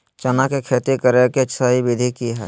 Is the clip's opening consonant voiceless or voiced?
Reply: voiceless